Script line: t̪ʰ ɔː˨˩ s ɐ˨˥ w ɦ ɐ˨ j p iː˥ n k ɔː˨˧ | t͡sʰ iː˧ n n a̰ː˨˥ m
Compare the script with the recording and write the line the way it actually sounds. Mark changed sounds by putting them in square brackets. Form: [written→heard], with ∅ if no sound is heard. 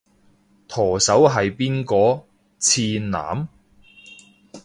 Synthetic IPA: t̪ʰ ɔː˨˩ s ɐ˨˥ w ɦ ɐ˨ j p iː˥ n k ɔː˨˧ | t͡sʰ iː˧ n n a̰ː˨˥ m

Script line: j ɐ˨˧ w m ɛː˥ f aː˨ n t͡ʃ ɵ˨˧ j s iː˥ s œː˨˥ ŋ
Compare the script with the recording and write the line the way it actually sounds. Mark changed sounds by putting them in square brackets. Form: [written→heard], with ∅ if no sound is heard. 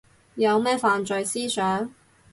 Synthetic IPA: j ɐ˨˧ w m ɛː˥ f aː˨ n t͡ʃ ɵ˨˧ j s iː˥ s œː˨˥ ŋ

